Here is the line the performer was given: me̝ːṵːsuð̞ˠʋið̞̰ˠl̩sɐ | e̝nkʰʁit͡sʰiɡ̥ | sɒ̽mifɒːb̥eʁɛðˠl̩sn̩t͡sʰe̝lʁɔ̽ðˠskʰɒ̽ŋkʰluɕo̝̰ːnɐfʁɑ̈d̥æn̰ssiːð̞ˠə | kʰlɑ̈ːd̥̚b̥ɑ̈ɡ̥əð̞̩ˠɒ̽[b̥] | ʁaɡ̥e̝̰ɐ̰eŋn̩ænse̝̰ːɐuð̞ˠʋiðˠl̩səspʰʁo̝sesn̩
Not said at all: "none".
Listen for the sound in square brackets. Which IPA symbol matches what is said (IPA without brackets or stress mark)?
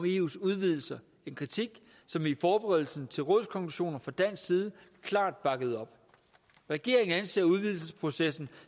b̥